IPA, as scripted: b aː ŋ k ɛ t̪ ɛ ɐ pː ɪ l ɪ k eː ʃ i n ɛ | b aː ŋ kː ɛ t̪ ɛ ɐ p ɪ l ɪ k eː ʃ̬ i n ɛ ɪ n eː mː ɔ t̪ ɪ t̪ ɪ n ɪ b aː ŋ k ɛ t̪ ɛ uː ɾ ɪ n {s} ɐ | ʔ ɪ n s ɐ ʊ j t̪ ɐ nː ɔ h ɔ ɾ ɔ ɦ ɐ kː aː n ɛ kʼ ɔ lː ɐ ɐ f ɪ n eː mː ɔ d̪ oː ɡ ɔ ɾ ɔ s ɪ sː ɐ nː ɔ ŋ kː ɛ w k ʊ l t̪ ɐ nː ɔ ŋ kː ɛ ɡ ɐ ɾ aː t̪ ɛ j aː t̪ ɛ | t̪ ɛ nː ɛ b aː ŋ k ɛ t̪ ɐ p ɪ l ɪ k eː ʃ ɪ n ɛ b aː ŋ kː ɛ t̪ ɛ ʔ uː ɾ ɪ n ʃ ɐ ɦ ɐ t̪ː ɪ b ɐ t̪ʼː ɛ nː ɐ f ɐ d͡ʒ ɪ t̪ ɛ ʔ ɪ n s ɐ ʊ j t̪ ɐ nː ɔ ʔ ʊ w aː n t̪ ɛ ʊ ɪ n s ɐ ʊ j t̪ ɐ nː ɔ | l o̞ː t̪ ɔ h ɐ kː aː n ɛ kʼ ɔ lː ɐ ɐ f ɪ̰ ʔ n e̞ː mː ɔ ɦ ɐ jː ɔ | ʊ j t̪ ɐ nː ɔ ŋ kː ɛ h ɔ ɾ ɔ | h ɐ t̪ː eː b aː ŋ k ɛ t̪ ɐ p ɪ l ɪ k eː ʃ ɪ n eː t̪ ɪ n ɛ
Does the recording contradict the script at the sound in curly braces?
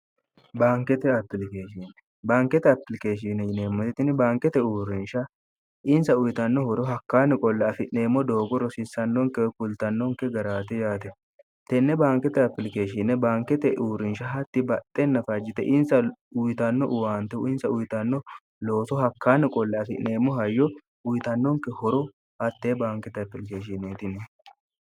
yes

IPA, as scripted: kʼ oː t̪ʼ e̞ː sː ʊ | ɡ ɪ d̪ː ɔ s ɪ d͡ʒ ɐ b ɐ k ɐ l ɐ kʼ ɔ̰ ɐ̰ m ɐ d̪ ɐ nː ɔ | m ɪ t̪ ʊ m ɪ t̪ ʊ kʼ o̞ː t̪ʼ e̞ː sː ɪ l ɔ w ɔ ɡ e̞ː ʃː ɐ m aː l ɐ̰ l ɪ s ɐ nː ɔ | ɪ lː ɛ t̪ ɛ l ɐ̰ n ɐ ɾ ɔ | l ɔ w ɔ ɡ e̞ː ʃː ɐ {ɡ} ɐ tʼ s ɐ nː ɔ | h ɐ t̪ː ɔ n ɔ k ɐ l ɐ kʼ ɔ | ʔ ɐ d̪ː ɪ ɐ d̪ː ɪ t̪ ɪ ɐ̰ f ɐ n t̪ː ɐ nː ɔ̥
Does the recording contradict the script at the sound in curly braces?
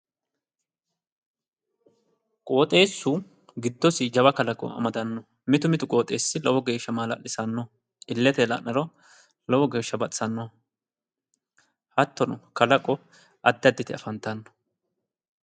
yes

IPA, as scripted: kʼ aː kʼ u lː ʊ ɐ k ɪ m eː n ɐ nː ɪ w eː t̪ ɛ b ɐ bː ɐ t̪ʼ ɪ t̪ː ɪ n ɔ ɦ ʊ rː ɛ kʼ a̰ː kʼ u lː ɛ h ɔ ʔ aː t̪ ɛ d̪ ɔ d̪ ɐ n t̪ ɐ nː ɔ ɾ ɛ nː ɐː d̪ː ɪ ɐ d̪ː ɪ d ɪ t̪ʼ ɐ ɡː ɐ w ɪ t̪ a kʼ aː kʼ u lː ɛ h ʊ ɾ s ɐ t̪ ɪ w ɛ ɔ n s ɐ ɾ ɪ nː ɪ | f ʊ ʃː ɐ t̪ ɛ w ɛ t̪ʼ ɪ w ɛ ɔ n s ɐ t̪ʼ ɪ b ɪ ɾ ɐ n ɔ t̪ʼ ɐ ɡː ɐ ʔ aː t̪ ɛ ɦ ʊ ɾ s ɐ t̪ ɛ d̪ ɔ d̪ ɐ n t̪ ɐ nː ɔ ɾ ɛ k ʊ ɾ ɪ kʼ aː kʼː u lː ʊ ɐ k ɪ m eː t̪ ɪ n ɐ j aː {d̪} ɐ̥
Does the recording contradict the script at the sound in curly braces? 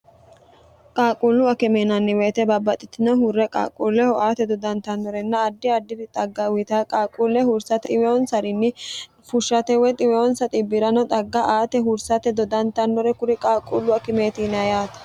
yes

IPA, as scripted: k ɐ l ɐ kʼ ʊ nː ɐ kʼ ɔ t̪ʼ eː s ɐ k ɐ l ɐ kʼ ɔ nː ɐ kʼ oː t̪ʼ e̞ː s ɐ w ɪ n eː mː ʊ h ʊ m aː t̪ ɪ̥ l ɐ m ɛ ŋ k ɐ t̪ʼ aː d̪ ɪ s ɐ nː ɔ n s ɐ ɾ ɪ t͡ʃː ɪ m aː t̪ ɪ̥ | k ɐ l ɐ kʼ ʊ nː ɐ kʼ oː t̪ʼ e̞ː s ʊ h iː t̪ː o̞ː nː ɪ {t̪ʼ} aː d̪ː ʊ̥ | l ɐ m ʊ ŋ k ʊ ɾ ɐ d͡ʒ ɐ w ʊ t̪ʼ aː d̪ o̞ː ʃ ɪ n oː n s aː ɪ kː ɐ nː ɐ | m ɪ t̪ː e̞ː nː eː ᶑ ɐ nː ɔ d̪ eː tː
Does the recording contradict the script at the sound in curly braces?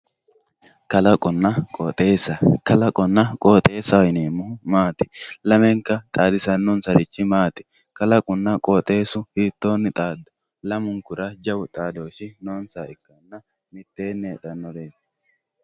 no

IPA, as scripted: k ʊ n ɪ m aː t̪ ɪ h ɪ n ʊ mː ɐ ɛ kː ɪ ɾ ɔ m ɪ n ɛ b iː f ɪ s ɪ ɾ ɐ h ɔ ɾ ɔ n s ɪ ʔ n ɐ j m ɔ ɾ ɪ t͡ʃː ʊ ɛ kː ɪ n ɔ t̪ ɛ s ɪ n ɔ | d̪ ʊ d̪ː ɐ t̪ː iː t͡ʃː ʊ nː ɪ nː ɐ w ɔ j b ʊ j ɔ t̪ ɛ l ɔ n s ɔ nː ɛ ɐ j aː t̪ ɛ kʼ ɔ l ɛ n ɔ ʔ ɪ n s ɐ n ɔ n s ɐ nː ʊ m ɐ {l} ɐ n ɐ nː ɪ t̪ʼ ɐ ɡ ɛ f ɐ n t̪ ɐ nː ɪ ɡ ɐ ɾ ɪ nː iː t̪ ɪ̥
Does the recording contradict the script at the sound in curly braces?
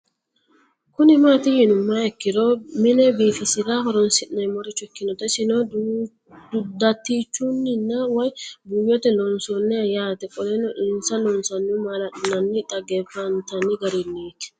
no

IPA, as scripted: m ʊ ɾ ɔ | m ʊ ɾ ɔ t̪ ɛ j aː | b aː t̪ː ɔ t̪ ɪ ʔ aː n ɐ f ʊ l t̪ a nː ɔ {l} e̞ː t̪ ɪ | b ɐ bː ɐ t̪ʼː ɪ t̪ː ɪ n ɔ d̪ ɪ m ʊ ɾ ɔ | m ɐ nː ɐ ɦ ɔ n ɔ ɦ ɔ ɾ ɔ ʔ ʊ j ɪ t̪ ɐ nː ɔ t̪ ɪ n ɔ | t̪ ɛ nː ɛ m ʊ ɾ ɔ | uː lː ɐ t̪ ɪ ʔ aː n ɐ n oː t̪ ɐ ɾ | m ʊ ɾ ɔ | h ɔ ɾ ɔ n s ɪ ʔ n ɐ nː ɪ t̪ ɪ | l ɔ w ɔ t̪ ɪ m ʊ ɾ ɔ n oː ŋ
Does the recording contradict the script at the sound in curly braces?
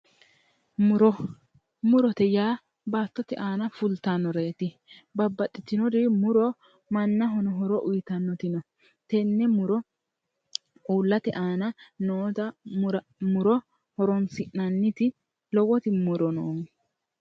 yes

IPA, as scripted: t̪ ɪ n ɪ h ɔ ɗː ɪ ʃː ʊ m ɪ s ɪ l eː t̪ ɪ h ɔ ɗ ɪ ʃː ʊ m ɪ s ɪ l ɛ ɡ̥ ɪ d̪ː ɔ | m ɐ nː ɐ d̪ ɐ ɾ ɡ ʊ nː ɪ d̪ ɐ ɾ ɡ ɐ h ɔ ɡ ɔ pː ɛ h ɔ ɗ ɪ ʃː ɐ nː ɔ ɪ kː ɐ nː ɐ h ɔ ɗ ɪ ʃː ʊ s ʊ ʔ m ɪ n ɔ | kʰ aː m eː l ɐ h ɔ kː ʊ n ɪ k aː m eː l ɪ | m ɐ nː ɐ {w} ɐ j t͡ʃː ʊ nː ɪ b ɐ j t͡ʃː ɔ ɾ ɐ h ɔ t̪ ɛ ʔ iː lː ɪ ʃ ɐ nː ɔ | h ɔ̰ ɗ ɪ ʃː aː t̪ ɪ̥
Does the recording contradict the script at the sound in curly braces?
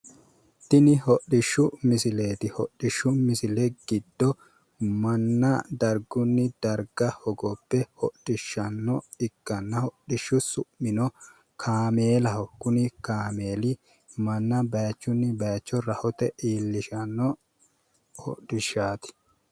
yes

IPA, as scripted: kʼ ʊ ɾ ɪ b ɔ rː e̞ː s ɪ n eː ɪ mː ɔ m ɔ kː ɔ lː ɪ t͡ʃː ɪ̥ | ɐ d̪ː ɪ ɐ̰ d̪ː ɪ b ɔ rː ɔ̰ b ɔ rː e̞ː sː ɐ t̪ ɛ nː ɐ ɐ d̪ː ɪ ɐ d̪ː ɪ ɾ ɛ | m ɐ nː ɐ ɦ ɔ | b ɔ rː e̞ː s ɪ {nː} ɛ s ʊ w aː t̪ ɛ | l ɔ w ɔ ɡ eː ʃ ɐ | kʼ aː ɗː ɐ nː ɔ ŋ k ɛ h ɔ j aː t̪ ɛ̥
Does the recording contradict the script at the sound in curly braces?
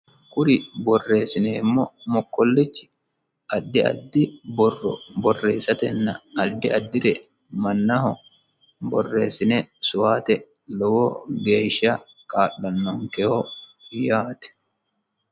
yes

